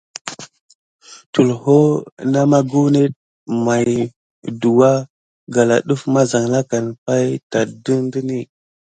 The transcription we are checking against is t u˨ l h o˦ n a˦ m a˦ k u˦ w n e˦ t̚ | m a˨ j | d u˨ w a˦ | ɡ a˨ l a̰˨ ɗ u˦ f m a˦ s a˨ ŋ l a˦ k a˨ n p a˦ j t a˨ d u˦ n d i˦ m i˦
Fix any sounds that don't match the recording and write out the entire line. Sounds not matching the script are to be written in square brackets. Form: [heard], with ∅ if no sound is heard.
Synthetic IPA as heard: t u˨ l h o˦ n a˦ m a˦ [ɡ] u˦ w n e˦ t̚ | m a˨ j | d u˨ w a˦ | ɡ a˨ l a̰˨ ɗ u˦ f m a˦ [z] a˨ ŋ l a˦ k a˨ n p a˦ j t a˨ d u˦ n d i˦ [n] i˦